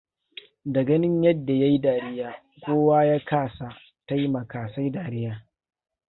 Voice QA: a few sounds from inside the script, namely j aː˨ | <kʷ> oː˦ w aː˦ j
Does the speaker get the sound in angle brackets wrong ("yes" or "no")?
no